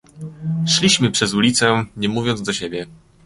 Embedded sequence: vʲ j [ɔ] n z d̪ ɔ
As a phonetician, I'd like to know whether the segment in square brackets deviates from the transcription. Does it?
no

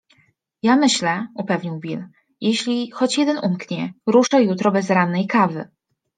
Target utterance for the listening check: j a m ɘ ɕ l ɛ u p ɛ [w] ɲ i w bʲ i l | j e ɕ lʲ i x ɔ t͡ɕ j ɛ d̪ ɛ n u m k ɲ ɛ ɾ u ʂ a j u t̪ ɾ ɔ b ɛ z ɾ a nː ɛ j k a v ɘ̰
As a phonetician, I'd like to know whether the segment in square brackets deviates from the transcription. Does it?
yes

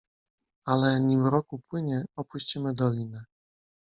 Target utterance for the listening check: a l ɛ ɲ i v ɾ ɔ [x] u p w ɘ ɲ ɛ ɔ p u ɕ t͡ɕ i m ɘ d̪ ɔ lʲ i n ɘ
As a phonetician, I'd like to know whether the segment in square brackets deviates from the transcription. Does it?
yes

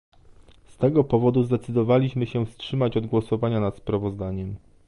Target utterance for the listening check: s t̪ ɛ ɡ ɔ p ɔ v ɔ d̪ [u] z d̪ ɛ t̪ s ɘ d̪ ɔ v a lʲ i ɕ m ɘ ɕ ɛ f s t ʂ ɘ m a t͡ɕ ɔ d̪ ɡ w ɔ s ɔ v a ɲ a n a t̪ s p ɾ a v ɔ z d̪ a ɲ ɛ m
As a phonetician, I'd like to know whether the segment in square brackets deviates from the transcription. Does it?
no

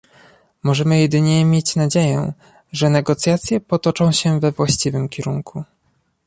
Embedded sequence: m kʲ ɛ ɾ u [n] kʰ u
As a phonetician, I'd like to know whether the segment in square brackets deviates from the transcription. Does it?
yes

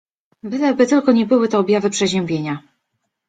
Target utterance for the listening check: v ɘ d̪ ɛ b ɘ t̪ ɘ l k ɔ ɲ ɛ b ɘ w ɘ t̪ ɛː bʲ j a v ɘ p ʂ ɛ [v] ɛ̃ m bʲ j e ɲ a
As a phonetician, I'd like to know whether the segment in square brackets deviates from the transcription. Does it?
yes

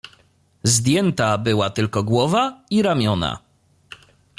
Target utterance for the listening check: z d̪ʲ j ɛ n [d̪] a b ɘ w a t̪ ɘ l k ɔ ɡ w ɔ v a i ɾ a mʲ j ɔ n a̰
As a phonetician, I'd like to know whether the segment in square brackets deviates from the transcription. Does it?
yes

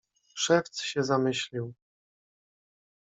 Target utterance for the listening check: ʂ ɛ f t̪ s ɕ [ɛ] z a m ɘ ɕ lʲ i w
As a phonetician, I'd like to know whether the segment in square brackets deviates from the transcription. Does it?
no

